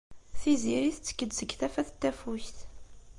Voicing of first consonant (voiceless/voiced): voiceless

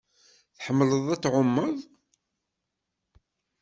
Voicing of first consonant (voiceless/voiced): voiceless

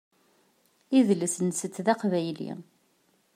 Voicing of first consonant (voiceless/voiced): voiced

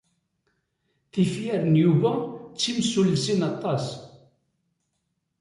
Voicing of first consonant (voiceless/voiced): voiceless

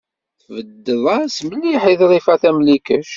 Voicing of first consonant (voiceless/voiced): voiceless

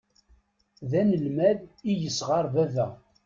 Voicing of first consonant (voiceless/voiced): voiced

